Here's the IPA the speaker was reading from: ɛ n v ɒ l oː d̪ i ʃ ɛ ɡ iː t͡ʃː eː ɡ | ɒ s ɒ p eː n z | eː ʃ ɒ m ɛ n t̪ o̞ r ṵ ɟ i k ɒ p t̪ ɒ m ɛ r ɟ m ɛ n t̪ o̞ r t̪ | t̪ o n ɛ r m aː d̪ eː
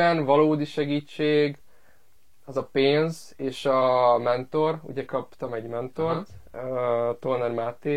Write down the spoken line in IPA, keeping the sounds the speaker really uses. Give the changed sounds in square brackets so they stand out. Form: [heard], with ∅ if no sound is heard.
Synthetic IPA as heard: ɛ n v ɒ l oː d̪ i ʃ ɛ ɡ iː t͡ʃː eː ɡ | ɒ [z] ɒ p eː n z | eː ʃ ɒ m ɛ n t̪ o̞ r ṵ ɟ [ɛ] k ɒ p t̪ ɒ m ɛ [∅] ɟ m ɛ n t̪ o̞ r t̪ | t̪ o n ɛ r m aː [t̪] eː